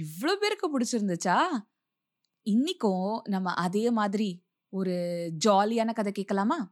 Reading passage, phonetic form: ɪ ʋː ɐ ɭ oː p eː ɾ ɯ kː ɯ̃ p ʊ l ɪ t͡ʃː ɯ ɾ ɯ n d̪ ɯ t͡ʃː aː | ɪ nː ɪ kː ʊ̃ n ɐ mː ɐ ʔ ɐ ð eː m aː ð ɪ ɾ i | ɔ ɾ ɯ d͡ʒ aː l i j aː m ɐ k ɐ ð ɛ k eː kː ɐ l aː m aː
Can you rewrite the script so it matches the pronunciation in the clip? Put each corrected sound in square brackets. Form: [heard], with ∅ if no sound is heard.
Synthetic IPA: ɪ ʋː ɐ ɭ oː p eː ɾ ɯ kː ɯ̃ p ʊ [ɽ] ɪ t͡ʃː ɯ ɾ ɯ n d̪ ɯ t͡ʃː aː | ɪ nː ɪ kː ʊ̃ n ɐ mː ɐ ʔ ɐ ð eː m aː ð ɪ ɾ i | ɔ ɾ ɯ d͡ʒ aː l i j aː [n] ɐ k ɐ ð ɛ k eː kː ɐ l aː m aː